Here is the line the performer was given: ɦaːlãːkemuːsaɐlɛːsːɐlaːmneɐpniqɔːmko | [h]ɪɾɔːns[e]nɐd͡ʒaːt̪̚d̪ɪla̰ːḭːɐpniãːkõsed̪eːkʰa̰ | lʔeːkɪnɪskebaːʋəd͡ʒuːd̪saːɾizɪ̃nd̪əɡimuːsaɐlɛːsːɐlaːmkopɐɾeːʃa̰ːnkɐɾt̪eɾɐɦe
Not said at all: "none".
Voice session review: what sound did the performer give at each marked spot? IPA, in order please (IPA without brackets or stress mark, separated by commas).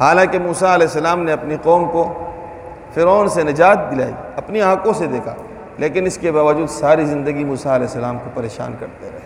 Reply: f, e